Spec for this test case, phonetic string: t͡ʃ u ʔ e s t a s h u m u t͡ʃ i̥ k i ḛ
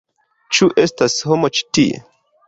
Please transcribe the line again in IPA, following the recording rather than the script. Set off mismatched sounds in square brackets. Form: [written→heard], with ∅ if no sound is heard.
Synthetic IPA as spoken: t͡ʃ u ʔ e s t a s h [u→o] m [u→o] t͡ʃ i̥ [k→t] i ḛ

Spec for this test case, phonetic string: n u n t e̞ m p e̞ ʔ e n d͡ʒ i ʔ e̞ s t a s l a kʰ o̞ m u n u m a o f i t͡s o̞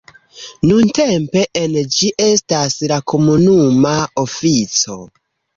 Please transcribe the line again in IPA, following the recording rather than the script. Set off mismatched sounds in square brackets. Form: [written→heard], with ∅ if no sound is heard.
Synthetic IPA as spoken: n u n t e̞ m p e̞ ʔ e n d͡ʒ i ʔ e̞ s t a s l a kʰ o̞ m u n u m a o f i t͡s o̞

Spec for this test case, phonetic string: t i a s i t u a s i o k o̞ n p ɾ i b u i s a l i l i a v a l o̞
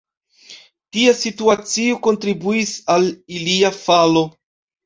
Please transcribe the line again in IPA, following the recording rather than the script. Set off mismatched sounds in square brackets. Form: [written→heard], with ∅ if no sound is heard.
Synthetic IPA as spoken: t i a s i t u a [s→t͡s] i o k o̞ n [p→t] ɾ i b u i s a l i l i a [v→f] a l o̞

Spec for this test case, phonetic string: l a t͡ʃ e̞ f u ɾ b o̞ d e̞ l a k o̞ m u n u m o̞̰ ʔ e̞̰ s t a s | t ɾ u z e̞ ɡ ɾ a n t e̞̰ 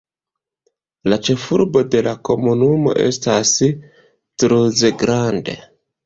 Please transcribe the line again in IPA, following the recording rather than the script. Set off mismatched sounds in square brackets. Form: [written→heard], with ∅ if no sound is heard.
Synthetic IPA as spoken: l a t͡ʃ e̞ f u ɾ b o̞ d e̞ l a k o̞ m u n u m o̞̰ ʔ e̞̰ s t a s | t ɾ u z e̞ ɡ ɾ a n [t→d] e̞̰

